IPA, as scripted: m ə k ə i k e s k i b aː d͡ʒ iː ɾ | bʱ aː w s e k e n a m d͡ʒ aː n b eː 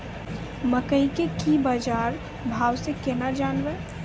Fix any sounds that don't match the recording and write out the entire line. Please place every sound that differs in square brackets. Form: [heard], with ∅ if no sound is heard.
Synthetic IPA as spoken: m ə k ə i k e [∅] k i b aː d͡ʒ [aː] ɾ | bʱ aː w s e k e n a [∅] d͡ʒ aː n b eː